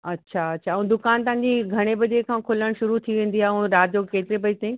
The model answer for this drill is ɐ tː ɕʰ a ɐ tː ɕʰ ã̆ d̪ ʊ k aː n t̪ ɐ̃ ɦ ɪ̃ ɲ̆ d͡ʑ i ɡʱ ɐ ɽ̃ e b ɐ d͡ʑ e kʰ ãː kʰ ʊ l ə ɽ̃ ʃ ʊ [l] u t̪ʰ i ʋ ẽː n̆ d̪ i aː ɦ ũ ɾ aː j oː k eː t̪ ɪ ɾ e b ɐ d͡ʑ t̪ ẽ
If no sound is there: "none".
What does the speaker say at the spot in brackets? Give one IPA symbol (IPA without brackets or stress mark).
ɾ